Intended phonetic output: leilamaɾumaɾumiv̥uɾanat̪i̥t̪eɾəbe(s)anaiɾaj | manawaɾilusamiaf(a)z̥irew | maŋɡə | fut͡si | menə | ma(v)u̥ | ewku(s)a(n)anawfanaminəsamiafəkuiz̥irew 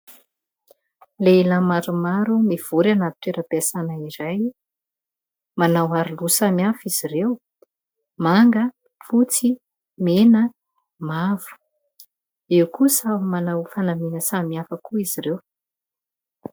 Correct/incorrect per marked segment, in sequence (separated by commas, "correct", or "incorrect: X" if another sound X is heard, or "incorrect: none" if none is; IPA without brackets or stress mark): correct, incorrect: i, correct, correct, incorrect: m